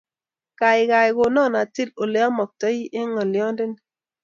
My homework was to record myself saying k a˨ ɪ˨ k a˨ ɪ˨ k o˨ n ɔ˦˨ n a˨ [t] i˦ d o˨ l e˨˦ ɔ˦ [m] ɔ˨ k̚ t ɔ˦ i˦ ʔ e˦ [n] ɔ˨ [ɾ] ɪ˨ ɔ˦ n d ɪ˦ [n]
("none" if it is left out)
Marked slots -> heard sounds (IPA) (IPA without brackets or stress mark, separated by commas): t, m, ŋ, l, n